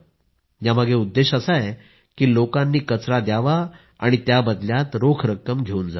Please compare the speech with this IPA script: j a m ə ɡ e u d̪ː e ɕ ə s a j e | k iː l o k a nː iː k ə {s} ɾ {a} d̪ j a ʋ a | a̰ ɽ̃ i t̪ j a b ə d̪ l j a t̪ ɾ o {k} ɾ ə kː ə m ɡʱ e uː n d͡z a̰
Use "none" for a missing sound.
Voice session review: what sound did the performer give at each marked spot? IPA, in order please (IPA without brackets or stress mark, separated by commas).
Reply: t͡s, a, kʰ